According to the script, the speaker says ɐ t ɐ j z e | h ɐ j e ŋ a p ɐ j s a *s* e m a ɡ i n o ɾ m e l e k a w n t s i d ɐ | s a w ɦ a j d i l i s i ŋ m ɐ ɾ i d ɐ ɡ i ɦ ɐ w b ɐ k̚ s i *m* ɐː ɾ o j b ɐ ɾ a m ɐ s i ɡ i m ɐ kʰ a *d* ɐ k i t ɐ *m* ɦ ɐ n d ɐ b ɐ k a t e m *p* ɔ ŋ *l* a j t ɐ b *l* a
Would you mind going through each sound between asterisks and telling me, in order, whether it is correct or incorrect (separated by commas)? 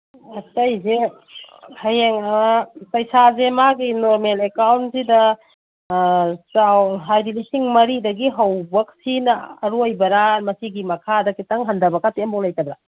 incorrect, incorrect, correct, incorrect, incorrect, correct, incorrect